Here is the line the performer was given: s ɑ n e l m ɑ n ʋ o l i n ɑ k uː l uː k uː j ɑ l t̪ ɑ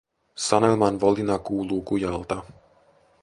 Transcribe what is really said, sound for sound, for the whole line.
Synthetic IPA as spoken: s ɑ n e l m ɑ n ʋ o l i n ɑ k uː l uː k u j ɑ l t̪ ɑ